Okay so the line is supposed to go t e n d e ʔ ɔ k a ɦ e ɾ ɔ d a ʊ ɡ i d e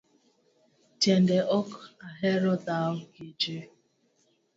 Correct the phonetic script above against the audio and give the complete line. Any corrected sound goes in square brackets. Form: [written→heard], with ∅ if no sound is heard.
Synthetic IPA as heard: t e n d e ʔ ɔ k a ɦ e ɾ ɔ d a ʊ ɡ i [d→d͡ʒ] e